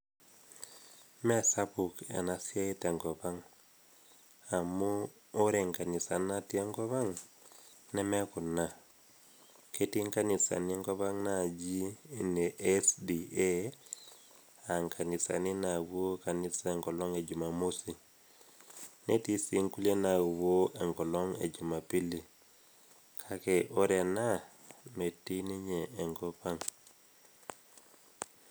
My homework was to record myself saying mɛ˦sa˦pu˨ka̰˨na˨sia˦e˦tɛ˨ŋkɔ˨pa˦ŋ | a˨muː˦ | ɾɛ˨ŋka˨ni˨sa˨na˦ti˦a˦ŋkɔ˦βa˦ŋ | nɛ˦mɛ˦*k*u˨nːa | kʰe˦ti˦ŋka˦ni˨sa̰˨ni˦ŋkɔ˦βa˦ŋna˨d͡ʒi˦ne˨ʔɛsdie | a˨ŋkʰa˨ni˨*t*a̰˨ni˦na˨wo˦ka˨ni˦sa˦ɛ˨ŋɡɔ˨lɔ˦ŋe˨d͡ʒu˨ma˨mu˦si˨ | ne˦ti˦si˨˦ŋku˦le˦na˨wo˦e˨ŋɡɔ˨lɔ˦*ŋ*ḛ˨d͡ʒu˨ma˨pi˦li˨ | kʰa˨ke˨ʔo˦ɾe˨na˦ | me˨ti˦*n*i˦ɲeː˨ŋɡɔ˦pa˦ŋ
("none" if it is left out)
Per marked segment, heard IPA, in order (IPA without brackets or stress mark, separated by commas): k, s, ŋ, n